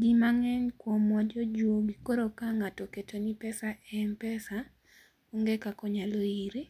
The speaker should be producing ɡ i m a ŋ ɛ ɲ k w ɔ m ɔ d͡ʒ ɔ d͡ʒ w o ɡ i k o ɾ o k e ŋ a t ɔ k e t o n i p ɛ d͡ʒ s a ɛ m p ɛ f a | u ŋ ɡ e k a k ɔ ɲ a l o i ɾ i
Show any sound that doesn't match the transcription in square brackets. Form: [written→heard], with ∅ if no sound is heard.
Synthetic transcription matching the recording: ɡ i m a ŋ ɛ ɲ k w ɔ m ɔ d͡ʒ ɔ d͡ʒ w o ɡ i k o ɾ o k [e→a] ŋ a t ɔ k e t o n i p ɛ [d͡ʒ→∅] s a ɛ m p ɛ [f→s] a | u ŋ ɡ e k a k ɔ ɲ a l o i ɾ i